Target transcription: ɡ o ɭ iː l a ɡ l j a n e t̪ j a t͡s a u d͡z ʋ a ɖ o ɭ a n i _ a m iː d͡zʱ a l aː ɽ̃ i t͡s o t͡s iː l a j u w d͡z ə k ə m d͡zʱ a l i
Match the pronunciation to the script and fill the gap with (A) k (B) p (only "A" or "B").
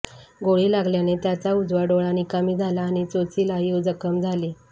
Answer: A